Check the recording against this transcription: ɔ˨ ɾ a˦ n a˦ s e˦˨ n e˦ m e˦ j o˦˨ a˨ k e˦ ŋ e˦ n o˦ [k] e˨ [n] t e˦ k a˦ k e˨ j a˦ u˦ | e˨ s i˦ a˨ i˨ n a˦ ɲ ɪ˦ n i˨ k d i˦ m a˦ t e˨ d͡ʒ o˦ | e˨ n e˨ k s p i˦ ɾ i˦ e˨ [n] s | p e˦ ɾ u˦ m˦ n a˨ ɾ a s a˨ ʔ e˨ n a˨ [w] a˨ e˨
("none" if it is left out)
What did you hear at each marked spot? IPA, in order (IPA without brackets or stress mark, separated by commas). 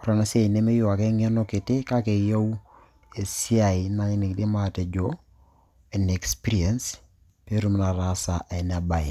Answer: k, none, n, b